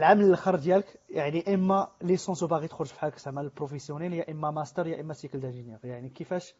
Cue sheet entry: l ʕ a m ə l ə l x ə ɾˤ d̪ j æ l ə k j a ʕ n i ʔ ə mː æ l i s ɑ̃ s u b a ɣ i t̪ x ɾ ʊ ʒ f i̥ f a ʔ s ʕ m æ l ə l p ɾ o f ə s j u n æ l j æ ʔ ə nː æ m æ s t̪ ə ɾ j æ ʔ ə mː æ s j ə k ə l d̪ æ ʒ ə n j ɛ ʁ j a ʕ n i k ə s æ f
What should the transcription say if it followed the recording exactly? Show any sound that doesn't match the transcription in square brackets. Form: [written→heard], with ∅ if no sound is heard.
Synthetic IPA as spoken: l ʕ a m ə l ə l x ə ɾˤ d̪ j æ l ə k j a ʕ n i ʔ ə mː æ l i s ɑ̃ s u b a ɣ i t̪ x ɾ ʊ ʒ f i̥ [f→ħ] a [ʔ→k] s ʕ m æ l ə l p ɾ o f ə s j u n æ l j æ ʔ ə [nː→mː] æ m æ s t̪ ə ɾ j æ ʔ ə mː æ s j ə k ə l d̪ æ ʒ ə n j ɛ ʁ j a ʕ n i k ə [s→f] æ [f→ʃ]